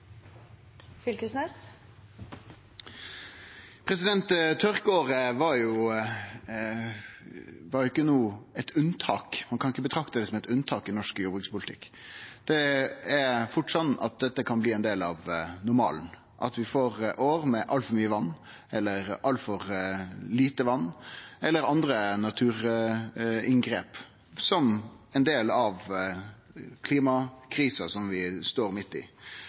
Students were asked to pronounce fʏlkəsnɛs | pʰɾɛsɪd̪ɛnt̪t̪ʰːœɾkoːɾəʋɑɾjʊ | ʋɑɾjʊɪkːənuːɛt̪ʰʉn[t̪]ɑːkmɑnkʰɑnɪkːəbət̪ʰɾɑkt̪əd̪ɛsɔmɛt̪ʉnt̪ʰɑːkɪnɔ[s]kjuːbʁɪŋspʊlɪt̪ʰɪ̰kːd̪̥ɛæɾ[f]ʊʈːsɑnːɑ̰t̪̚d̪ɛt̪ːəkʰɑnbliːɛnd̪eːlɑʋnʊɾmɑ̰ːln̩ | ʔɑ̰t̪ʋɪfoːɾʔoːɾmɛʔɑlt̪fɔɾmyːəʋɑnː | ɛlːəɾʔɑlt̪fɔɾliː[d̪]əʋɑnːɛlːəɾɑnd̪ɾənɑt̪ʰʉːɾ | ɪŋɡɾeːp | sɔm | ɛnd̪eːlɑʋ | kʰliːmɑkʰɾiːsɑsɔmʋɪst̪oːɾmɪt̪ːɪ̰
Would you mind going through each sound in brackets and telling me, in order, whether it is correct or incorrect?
incorrect, incorrect, correct, incorrect

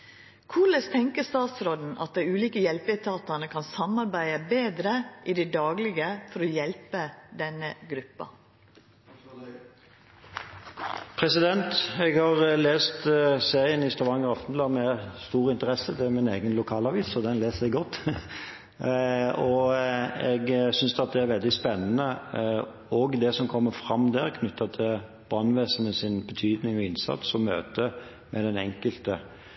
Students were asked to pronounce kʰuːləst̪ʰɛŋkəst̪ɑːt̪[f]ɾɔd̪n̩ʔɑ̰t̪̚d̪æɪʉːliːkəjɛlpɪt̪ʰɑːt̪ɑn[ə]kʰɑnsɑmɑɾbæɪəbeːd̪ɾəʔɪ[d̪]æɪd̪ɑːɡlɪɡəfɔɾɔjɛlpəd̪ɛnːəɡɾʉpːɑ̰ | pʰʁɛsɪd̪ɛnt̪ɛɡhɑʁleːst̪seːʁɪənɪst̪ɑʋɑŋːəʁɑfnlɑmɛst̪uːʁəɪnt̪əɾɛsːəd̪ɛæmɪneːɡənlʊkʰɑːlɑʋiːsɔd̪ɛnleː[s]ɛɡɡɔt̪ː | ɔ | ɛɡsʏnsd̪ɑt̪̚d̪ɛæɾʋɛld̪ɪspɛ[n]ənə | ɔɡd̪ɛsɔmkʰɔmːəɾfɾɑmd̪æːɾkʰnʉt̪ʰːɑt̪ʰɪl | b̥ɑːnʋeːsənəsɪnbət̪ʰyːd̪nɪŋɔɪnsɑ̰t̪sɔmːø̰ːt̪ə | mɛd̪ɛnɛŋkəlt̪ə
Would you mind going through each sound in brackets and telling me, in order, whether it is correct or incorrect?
incorrect, correct, correct, correct, incorrect

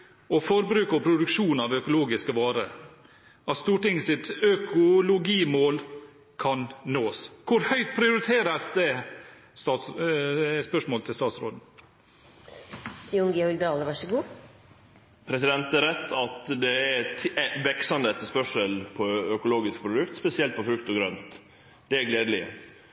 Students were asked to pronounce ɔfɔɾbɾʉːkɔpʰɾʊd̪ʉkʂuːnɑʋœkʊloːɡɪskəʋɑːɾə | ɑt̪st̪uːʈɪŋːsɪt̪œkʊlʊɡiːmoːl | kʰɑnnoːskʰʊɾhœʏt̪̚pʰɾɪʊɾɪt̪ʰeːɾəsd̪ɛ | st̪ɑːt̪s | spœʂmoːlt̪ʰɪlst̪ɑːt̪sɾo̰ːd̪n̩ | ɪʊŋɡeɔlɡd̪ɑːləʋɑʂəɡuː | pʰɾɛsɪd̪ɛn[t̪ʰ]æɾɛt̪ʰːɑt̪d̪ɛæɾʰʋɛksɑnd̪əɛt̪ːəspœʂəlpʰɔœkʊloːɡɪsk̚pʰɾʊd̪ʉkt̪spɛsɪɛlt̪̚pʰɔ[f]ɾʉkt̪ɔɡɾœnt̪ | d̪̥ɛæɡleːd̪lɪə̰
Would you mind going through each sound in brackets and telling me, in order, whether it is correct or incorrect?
incorrect, correct

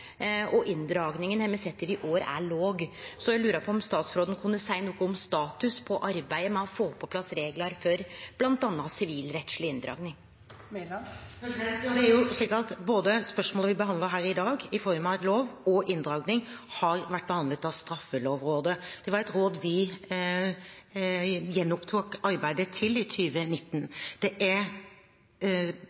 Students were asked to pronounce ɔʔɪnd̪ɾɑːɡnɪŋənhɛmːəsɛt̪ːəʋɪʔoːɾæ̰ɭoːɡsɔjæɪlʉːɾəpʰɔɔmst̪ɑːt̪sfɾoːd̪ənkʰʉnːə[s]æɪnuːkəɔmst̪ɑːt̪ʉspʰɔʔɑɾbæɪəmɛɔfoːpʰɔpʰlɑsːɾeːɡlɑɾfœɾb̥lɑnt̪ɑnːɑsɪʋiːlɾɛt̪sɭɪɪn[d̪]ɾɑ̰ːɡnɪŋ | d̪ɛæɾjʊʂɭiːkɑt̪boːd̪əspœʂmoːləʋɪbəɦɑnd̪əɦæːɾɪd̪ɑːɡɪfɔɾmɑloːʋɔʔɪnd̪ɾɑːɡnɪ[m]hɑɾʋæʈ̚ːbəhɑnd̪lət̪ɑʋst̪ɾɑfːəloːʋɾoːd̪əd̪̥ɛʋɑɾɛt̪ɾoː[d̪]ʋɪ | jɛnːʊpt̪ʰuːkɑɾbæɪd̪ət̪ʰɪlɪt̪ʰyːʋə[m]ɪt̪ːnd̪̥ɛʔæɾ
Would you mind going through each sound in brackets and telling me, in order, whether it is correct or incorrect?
correct, correct, incorrect, correct, incorrect

